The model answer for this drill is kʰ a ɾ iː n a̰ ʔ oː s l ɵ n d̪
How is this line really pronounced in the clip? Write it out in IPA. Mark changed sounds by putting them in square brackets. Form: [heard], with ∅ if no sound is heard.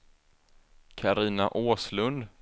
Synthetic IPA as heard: kʰ a ɾ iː n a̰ ʔ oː s l ɵ n d̪